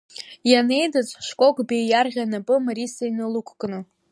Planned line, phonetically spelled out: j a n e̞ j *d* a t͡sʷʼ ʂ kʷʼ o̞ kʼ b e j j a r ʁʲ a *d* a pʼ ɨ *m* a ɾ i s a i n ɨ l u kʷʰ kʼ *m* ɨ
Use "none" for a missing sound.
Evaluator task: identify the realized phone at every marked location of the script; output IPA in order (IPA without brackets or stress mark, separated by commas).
d, n, m, n